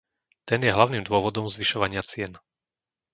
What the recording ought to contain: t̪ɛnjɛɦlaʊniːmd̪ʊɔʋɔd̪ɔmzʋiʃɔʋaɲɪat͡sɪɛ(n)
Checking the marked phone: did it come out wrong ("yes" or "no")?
no